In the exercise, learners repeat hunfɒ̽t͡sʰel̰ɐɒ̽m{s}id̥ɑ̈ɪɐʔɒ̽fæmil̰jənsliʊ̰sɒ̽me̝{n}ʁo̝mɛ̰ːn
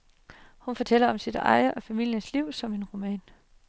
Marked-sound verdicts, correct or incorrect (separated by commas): correct, correct